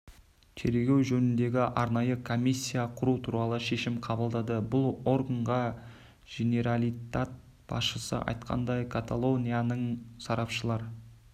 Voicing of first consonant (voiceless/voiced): voiceless